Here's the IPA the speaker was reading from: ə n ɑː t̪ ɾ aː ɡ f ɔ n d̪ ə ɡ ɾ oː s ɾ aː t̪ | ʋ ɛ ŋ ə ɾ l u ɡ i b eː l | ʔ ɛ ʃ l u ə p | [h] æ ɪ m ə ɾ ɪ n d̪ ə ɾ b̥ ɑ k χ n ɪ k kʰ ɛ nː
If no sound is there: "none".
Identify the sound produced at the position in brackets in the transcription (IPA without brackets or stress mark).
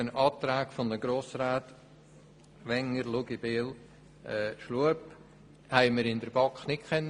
h